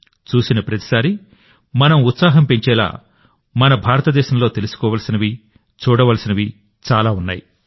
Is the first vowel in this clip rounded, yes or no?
yes